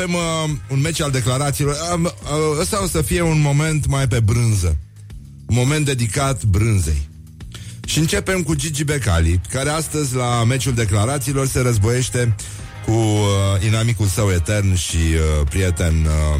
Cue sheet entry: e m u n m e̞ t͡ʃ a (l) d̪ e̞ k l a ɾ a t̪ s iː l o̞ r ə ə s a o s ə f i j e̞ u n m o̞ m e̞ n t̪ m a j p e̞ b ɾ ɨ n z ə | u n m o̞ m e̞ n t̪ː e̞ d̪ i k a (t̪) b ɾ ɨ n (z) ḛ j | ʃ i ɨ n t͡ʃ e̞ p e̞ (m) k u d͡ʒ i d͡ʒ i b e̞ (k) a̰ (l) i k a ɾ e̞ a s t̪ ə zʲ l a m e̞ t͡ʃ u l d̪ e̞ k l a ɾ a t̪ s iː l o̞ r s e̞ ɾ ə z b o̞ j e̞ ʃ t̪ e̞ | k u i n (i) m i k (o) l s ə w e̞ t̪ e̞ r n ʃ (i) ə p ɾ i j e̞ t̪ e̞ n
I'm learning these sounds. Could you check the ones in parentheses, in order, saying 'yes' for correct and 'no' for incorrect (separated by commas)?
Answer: yes, yes, yes, yes, yes, yes, no, no, yes